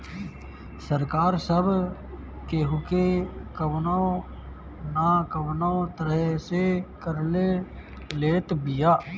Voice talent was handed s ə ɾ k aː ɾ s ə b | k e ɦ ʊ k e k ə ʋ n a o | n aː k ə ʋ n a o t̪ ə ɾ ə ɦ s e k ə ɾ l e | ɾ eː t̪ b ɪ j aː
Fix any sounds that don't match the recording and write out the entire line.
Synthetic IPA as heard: s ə ɾ k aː ɾ s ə b | k e ɦ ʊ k e k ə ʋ n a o | n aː k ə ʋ n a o t̪ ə ɾ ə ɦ s e k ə ɾ l e | l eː t̪ b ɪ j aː